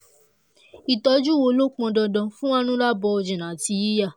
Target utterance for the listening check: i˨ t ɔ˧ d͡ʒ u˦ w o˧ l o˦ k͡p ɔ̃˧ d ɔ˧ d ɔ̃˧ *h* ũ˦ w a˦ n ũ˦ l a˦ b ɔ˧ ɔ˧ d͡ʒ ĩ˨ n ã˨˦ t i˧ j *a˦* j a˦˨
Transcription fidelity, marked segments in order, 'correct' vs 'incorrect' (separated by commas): incorrect, incorrect